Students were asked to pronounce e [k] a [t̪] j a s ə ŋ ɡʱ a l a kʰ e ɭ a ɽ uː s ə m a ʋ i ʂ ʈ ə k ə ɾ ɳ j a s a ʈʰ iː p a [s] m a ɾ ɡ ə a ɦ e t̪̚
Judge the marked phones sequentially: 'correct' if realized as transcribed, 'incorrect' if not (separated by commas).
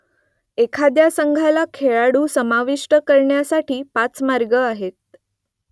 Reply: incorrect, incorrect, incorrect